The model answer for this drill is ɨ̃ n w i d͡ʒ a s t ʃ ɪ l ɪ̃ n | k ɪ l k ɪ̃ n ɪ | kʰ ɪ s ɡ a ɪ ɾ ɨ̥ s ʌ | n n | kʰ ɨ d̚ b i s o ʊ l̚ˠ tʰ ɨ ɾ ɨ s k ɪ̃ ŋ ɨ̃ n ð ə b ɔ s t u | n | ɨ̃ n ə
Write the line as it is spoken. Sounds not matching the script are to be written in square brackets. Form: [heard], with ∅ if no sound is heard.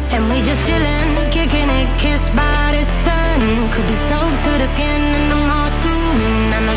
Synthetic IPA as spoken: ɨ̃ n w i d͡ʒ [ʌ] s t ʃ ɪ l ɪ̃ n | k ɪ [∅] k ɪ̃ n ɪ | kʰ ɪ s [b] a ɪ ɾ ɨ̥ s ʌ | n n | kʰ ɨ d̚ b i s o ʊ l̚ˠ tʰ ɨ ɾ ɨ s k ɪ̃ [n] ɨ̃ n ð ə [m] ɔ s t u | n | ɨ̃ n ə